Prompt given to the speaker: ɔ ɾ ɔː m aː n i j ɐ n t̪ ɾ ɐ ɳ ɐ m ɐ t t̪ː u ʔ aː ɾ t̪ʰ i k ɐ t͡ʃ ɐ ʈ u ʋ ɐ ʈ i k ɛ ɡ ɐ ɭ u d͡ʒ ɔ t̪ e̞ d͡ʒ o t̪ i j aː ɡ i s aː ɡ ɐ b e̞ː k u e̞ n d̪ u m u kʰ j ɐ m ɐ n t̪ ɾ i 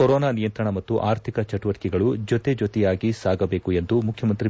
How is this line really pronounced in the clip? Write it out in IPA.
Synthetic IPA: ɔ ɾ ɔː n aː n i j ɐ n t̪ ɾ ɐ ɳ ɐ m ɐ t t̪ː u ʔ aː ɾ t̪ʰ i k ɐ t͡ʃ ɐ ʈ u ʋ ɐ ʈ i k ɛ ɡ ɐ ɭ u d͡ʒ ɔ t̪ e̞ d͡ʒ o t̪ ɛ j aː ɡ i s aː ɡ ɐ b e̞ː k u e̞ n d̪ u m u kʰ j ɐ m ɐ n t̪ ɾ i